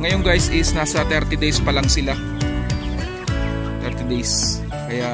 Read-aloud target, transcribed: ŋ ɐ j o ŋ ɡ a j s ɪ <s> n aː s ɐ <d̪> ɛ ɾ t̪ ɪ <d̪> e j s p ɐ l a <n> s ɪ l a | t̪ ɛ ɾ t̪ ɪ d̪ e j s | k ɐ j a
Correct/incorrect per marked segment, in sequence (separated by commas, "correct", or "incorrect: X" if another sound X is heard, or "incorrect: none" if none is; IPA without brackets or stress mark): correct, incorrect: t̪, correct, incorrect: ŋ